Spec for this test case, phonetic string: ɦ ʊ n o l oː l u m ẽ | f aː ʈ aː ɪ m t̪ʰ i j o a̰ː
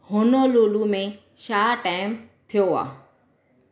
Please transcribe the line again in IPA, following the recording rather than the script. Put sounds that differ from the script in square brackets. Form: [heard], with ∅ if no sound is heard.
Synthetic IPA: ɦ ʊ n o l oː l u m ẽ | [ʃ] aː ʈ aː ɪ m t̪ʰ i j o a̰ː